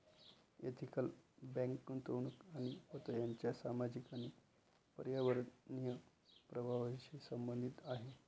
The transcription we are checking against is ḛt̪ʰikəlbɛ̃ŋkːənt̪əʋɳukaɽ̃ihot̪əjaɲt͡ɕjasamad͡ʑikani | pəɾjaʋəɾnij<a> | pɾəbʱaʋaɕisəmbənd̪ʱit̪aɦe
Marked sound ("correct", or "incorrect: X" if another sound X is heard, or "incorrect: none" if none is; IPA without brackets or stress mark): incorrect: ə